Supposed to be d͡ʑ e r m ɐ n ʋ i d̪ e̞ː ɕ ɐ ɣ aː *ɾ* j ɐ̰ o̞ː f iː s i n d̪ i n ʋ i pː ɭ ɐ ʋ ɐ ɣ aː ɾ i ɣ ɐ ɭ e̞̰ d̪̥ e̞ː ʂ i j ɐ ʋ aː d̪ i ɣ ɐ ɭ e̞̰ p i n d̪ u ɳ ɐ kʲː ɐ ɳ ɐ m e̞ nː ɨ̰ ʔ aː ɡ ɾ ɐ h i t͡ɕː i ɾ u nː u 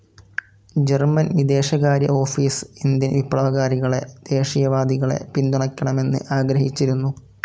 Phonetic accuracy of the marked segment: correct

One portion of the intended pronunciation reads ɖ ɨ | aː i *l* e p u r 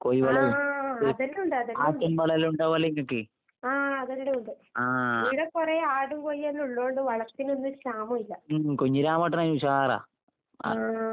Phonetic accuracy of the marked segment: incorrect: ɽ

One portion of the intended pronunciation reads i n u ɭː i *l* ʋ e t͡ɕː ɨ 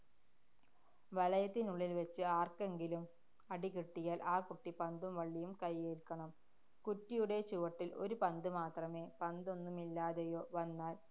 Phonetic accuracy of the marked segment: correct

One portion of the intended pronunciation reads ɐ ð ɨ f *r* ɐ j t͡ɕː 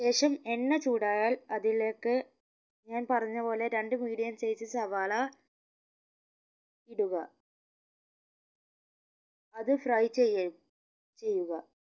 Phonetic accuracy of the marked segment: correct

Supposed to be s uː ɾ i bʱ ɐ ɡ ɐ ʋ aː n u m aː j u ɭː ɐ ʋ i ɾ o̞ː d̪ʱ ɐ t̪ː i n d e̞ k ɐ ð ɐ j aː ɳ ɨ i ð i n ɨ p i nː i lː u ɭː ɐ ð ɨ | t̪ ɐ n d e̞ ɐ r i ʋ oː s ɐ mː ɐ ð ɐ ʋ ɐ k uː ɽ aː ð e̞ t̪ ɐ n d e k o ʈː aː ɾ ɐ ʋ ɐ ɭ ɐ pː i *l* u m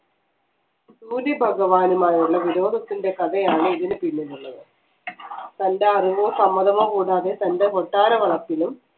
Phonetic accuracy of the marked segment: correct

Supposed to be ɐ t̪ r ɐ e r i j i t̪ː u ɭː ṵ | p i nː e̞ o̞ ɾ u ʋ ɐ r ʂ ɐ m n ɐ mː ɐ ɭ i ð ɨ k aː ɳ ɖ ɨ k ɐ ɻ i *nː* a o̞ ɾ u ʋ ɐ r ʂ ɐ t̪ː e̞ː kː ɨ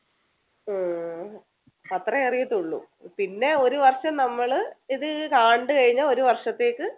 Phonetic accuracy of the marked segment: incorrect: ɲː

